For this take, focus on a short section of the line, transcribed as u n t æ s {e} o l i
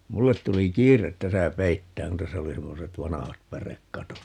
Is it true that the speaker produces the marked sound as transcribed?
no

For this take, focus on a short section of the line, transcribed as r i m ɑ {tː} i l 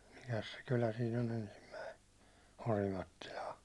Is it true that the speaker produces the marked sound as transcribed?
yes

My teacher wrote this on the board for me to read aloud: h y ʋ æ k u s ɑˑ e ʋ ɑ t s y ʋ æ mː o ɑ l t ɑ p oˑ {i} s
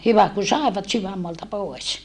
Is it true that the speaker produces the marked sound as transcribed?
no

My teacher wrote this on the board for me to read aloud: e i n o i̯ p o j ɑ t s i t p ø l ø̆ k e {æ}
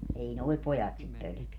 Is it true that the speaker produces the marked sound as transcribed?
yes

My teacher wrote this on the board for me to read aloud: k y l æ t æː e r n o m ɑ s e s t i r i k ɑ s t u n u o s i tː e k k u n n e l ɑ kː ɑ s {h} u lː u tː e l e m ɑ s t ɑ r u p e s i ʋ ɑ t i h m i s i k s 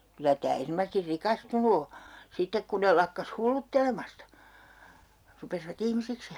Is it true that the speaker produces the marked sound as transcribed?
yes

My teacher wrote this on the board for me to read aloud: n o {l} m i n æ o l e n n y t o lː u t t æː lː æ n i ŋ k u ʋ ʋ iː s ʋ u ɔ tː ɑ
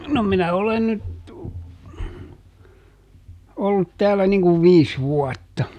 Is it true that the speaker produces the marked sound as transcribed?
no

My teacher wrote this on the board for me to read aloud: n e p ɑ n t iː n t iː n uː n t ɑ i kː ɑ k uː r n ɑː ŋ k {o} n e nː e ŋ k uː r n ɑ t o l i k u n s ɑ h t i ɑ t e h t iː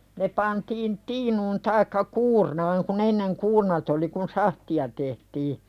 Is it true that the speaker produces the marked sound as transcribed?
no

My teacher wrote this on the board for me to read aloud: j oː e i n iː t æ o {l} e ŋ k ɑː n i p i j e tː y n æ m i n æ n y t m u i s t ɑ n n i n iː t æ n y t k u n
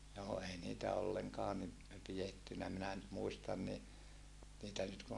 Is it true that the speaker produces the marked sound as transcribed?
no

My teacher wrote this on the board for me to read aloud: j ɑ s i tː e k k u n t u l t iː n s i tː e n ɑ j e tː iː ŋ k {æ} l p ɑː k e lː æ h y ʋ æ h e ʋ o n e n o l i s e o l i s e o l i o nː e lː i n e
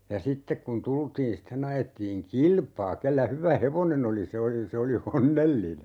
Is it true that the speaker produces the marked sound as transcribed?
no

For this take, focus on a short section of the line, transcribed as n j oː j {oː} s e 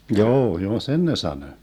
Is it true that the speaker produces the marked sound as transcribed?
yes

